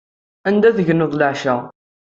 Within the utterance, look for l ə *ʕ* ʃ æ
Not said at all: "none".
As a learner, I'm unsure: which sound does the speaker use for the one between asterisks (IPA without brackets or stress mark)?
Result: ʕ